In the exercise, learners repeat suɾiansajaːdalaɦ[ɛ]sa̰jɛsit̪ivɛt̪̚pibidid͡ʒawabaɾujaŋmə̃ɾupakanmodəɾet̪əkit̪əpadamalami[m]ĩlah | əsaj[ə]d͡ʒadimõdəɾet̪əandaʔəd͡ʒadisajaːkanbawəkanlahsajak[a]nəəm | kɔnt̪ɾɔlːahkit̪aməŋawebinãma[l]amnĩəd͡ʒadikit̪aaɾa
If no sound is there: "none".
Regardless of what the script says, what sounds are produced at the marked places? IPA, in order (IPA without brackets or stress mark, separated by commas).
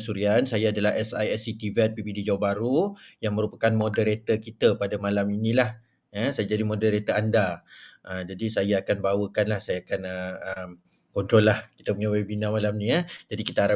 ɛ, n, a, a, l